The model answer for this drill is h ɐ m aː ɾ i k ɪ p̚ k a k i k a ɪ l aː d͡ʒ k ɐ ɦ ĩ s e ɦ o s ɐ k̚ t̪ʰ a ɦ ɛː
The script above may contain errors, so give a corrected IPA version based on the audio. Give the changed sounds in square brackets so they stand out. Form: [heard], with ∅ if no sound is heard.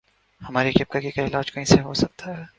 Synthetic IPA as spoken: h ɐ m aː ɾ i k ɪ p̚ k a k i k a ɪ l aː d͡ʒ k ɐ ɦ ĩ s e ɦ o s ɐ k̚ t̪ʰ a ɦ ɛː